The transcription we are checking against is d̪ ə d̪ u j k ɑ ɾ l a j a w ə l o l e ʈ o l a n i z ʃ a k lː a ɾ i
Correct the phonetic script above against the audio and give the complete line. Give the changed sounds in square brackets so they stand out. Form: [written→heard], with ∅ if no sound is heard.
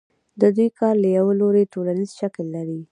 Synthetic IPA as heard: d̪ ə d̪ u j k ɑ ɾ l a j a w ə l o [l→ɾ] e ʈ o l a n i z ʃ a k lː a ɾ i